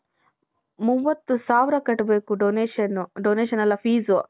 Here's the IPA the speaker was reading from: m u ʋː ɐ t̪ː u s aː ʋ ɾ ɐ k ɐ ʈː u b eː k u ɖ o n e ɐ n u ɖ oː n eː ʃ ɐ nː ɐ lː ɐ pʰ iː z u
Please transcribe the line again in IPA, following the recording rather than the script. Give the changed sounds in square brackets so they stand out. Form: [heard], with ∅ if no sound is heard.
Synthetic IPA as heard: m u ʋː ɐ t̪ː u s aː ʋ ɾ ɐ k ɐ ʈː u b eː k u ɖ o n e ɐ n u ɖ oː n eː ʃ ɐ [n] ɐ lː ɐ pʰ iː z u